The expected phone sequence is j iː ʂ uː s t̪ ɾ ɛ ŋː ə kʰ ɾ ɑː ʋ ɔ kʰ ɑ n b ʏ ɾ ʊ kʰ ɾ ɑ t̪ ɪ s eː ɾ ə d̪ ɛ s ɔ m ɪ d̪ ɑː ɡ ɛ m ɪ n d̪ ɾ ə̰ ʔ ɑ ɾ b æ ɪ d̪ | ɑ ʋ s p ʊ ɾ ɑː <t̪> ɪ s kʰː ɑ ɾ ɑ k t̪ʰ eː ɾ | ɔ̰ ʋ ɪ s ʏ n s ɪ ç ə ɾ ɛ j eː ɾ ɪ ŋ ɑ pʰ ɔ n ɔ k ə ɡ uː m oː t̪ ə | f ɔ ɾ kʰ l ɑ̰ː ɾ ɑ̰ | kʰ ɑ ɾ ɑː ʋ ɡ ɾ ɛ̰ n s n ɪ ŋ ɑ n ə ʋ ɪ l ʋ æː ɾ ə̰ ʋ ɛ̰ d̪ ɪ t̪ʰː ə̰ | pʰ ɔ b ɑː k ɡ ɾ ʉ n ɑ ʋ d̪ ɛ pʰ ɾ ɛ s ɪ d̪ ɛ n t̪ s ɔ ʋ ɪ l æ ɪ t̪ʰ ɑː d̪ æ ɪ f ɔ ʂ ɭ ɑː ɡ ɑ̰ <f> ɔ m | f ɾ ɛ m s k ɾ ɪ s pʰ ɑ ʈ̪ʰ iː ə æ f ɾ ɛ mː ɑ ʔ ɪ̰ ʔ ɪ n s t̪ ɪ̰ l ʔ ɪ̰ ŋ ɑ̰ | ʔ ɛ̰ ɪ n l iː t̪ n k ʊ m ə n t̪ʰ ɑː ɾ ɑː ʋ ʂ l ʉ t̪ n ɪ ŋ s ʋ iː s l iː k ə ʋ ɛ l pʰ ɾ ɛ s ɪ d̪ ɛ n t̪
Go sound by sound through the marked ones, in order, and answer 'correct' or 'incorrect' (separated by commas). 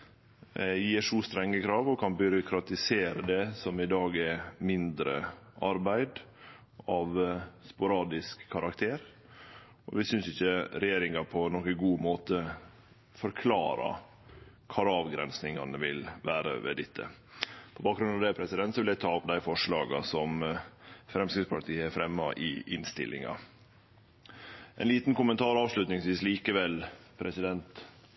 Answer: incorrect, incorrect